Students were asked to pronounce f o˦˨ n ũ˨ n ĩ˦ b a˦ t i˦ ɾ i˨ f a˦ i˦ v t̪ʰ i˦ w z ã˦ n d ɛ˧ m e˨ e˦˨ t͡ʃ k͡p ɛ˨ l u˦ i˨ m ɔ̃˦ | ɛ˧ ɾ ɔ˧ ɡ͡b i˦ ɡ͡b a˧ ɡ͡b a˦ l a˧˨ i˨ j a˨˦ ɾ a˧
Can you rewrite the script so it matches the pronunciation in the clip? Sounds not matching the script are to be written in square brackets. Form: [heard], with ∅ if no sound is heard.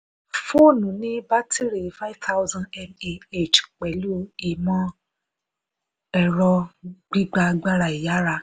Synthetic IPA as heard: f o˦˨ n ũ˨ n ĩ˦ b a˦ t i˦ ɾ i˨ f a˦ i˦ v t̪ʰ [a˦] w z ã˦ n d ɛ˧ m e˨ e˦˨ t͡ʃ k͡p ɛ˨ l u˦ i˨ m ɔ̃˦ | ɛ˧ ɾ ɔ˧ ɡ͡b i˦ ɡ͡b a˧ ɡ͡b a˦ [ɾ] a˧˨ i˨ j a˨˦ ɾ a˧